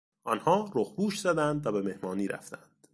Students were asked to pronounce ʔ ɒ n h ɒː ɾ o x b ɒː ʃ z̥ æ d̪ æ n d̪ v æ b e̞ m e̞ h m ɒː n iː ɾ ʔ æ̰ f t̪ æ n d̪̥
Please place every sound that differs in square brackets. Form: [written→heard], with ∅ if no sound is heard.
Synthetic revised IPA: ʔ ɒ n h ɒː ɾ o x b [ɒː→uː] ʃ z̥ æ d̪ æ n d̪ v æ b e̞ m e̞ h m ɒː n iː ɾ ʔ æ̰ f t̪ æ n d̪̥